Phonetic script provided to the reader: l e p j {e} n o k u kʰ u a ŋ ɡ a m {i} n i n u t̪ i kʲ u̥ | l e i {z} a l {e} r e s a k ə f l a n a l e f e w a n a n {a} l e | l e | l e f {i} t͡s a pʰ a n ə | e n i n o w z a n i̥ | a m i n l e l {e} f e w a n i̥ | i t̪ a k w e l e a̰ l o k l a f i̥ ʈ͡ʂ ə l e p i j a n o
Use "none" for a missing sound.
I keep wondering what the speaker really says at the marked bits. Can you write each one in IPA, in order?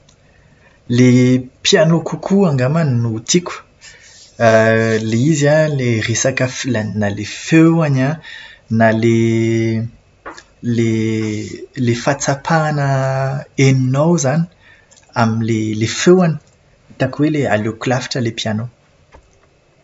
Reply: a, a, z, e, a, a, e

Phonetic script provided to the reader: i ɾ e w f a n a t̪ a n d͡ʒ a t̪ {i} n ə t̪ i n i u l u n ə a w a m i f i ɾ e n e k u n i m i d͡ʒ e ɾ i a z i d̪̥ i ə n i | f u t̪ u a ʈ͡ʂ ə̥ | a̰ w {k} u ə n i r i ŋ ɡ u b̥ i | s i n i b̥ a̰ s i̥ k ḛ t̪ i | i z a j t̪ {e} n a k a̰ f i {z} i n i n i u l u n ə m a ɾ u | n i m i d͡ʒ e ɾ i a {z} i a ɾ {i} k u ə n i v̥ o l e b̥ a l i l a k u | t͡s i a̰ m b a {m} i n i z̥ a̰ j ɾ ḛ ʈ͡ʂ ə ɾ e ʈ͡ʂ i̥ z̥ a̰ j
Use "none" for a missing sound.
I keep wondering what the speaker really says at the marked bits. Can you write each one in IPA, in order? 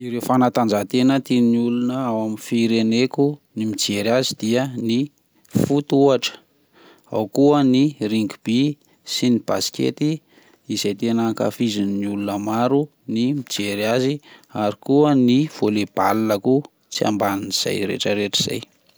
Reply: e, k, e, z, z, i, n

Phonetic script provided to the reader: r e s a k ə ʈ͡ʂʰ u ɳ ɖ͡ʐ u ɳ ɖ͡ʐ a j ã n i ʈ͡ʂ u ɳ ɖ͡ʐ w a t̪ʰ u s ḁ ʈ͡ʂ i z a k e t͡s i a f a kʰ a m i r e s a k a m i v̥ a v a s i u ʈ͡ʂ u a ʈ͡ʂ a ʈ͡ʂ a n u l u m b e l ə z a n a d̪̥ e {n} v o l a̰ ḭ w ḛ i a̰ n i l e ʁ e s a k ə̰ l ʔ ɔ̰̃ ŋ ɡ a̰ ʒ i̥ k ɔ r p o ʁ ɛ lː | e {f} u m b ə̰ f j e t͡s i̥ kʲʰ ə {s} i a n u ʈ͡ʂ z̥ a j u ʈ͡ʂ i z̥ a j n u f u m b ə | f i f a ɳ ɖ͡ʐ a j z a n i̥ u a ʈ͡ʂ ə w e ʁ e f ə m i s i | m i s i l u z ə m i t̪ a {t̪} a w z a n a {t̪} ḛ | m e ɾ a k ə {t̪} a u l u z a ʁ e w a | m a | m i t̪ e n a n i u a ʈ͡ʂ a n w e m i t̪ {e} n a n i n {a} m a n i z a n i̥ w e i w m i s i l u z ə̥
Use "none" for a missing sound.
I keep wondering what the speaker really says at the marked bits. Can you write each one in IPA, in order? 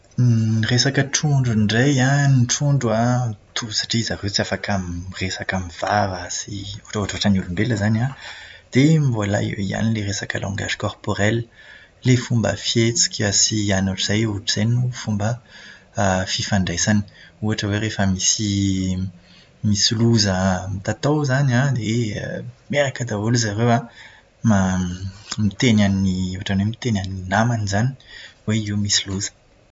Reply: m, f, s, t̪, d̪, d̪, e, a

